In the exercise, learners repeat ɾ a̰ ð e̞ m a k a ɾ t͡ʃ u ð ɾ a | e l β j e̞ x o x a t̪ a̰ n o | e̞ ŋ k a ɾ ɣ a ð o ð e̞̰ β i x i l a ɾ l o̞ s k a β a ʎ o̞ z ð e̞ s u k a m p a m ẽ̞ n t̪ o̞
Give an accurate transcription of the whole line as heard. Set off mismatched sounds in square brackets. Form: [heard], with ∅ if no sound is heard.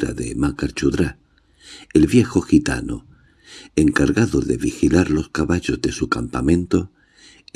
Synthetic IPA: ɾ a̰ ð e̞ m a k a ɾ t͡ʃ u ð ɾ a | e l β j e̞ x o x [i] t̪ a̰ n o | e̞ ŋ k a ɾ ɣ a ð o ð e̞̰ β i x i l a ɾ l o̞ s k a β a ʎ o̞ z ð e̞ s u k a m p a m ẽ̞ n t̪ o̞